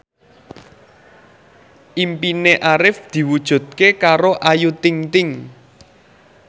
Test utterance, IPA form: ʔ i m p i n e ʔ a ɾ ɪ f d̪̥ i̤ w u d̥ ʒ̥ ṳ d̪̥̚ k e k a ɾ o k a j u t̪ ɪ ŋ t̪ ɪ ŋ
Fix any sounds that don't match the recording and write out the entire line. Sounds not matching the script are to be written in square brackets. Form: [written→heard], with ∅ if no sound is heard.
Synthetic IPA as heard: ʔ i m p i n e ʔ a ɾ ɪ f d̪̥ i̤ w u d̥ ʒ̥ ṳ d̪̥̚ k e k a ɾ o [k→ʔ] a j u t̪ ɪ ŋ t̪ ɪ ŋ